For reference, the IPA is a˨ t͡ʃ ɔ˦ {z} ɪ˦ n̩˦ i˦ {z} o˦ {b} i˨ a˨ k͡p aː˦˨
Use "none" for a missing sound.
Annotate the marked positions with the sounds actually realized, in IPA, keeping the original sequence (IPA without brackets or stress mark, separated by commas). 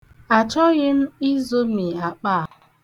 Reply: ɣ, z, m